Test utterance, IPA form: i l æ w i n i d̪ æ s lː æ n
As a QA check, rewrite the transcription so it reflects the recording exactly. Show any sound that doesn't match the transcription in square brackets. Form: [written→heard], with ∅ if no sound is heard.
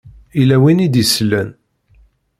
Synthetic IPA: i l æ w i n i d̪ [æ→i] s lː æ n